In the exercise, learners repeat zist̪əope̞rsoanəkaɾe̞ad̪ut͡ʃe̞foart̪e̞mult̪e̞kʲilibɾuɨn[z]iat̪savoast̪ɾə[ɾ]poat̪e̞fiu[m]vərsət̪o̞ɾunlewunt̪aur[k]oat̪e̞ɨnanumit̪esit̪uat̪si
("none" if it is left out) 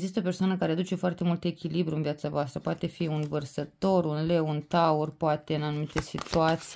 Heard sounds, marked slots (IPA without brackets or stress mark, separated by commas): v, none, n, p